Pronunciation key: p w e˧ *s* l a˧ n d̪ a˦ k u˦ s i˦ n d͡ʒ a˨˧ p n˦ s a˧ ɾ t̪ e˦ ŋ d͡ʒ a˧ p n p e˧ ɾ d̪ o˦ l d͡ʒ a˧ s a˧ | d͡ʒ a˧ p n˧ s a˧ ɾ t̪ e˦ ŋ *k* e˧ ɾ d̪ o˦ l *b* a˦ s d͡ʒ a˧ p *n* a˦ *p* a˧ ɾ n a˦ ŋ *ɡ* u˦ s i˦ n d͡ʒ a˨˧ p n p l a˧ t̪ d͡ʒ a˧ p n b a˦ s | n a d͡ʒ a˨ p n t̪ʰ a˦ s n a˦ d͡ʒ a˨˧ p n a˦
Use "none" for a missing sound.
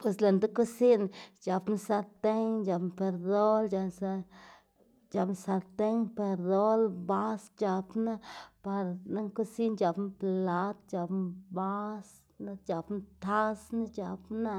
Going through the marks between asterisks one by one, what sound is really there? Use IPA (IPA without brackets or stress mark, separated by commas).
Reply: s, p, b, n, p, k